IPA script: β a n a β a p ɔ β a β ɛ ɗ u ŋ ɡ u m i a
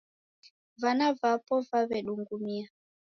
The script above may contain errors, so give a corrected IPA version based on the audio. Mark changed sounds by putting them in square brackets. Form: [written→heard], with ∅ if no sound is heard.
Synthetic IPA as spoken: [β→v] a n a [β→v] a p ɔ [β→v] a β ɛ ɗ u ŋ ɡ u m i a